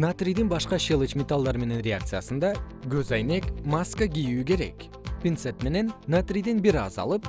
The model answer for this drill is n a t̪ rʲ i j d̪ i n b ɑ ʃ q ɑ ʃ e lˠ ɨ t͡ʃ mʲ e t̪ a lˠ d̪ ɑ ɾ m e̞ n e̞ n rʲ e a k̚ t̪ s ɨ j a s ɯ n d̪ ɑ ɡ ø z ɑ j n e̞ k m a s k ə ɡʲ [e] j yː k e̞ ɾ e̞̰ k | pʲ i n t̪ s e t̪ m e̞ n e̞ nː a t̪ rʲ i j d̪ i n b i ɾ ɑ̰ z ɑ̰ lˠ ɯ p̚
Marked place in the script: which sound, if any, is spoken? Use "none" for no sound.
i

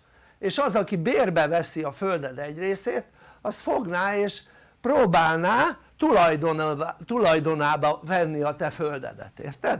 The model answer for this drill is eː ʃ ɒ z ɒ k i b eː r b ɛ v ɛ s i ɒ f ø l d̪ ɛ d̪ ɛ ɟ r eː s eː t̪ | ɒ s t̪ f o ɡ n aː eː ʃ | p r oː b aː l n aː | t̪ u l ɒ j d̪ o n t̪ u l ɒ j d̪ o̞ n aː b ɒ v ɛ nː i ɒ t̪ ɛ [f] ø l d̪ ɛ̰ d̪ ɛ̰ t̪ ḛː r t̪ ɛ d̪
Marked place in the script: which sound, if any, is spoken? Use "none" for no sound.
f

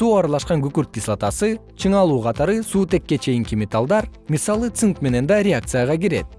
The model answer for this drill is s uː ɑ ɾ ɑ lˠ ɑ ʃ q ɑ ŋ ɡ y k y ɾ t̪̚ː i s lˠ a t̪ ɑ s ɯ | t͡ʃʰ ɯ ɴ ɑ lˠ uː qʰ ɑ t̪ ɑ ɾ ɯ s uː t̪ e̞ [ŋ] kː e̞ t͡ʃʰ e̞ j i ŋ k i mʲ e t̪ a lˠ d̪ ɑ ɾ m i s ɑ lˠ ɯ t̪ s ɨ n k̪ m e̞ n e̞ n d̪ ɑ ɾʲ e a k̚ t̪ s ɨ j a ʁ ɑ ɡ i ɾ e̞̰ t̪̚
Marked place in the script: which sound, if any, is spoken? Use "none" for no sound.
none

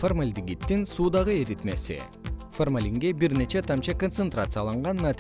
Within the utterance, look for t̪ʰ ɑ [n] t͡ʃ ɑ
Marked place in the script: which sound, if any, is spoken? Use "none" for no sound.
m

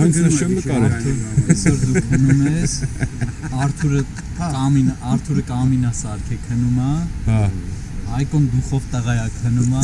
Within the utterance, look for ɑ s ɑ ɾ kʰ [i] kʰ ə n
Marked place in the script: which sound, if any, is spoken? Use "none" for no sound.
ɛ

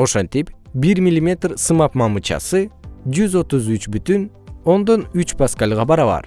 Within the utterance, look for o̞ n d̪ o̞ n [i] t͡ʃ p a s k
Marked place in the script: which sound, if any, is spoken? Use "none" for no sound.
y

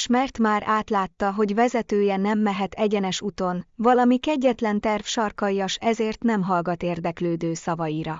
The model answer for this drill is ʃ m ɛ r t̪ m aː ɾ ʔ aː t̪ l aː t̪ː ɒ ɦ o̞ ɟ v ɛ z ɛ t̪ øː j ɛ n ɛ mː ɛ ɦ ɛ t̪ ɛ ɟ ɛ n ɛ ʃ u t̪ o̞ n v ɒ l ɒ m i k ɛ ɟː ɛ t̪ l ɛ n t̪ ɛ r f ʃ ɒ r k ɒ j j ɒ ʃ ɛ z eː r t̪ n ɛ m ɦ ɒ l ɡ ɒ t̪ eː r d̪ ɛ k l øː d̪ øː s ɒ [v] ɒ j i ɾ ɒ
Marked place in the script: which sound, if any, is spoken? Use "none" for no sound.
v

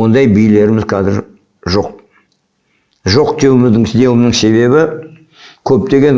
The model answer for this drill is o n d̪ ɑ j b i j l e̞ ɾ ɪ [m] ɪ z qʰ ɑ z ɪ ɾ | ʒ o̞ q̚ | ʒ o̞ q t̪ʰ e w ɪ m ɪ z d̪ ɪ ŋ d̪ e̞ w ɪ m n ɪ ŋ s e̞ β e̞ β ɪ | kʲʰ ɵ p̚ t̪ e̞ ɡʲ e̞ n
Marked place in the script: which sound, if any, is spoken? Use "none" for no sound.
m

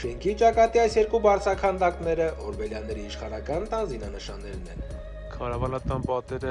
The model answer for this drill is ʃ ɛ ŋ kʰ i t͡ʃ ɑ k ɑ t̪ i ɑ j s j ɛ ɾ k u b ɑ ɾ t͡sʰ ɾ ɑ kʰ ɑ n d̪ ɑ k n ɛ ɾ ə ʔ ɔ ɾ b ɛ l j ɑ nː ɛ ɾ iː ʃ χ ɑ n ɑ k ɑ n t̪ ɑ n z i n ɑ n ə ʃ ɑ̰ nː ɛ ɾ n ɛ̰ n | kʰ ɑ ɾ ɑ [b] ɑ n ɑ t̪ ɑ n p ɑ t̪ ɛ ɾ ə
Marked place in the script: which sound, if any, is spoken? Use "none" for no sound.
v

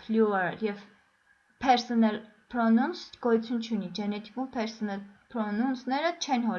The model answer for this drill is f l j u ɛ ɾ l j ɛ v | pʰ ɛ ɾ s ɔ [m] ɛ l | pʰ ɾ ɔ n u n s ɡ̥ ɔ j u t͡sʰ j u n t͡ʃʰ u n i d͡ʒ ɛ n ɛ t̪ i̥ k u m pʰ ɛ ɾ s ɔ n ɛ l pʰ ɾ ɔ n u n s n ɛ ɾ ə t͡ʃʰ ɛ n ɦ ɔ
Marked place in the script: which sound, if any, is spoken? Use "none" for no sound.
n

